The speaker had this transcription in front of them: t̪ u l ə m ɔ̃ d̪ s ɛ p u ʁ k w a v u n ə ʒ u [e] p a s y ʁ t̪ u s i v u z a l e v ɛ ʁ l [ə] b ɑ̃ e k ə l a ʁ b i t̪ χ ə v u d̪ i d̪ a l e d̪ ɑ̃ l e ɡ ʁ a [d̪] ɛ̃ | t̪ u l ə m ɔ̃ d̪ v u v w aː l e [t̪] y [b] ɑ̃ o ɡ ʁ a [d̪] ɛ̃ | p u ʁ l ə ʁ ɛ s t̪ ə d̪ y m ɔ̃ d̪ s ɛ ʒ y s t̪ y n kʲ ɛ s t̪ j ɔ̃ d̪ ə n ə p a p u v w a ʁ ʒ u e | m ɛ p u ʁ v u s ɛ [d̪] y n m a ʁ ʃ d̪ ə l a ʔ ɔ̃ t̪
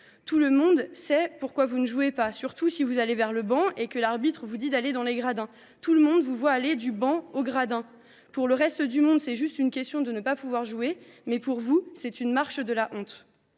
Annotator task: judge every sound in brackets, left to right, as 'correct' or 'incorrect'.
correct, correct, correct, incorrect, correct, correct, incorrect

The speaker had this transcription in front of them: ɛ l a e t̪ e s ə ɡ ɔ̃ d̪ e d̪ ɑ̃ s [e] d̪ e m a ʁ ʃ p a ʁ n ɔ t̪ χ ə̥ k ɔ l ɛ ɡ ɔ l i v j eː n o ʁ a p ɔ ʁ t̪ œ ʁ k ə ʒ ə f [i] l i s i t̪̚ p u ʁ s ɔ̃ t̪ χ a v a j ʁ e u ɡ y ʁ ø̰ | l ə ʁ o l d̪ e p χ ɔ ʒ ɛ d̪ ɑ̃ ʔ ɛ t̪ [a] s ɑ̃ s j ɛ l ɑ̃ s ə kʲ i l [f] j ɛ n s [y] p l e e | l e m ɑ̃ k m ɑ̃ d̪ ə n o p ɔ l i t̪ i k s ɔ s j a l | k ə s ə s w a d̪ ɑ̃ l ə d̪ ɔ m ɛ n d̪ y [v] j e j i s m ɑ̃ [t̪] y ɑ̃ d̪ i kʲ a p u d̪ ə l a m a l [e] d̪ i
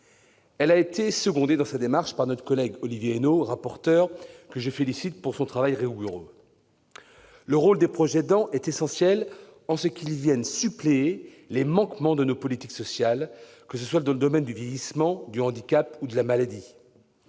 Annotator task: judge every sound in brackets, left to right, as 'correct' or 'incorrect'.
incorrect, incorrect, incorrect, incorrect, correct, correct, incorrect, incorrect

